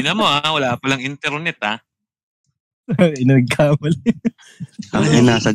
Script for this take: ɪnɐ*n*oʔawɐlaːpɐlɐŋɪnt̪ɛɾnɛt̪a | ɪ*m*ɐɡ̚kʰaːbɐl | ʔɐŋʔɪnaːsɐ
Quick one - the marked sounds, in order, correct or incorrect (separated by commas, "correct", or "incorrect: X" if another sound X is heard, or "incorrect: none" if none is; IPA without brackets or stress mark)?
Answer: incorrect: m, incorrect: n